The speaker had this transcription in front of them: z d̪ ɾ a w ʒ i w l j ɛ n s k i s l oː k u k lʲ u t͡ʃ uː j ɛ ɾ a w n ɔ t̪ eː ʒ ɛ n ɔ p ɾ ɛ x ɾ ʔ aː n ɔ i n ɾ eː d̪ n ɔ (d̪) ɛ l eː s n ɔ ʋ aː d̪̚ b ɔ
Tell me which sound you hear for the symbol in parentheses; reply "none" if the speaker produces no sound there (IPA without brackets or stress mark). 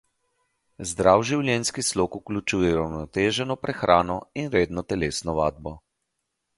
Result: t̪